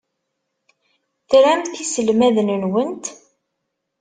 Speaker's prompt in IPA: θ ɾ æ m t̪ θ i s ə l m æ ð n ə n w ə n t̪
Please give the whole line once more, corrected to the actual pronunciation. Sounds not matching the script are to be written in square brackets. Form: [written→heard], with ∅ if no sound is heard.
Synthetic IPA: θ ɾ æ m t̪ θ i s ə l m æ ð n ə n w ə n t̪